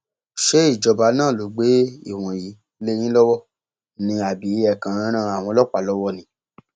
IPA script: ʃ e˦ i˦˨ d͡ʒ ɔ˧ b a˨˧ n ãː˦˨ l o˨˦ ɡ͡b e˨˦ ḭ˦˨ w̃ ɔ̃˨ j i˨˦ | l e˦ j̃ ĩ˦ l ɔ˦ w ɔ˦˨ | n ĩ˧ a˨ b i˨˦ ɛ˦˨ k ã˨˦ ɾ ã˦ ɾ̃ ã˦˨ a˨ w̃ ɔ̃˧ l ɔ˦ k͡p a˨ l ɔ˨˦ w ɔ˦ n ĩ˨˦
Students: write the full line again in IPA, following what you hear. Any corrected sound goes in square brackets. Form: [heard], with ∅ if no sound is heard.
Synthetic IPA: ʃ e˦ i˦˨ d͡ʒ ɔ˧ b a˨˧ n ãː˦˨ l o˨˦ ɡ͡b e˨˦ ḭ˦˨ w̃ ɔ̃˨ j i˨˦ | l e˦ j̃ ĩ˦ l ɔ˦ w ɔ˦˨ | n ĩ˧ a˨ b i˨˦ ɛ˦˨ k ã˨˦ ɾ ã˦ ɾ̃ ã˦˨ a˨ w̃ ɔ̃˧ l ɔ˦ k͡p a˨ l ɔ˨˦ w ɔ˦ n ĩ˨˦